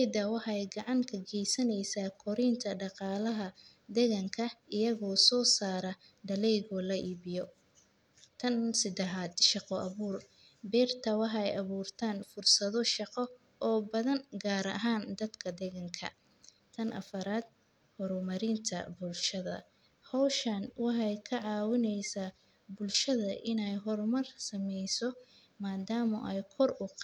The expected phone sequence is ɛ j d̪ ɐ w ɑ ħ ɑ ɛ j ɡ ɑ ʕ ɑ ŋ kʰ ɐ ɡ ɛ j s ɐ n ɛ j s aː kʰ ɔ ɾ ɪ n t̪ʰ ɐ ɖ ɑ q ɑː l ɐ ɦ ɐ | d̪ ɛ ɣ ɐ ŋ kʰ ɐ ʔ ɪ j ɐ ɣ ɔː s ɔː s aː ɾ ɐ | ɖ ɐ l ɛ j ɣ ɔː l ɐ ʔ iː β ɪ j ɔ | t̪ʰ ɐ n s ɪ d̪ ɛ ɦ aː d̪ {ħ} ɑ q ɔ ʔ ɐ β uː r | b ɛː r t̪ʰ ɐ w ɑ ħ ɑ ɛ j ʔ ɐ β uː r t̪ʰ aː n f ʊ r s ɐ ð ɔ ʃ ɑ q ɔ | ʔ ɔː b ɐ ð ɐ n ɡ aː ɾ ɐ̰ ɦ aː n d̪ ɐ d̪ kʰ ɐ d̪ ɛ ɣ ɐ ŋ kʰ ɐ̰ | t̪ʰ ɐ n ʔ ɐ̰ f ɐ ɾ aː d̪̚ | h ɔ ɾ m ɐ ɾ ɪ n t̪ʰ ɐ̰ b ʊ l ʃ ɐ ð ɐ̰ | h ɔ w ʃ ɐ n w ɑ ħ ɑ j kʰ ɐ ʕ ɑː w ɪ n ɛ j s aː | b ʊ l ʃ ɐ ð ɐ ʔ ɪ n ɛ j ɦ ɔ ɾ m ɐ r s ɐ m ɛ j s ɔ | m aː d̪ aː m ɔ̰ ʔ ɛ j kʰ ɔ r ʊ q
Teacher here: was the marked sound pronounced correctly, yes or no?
no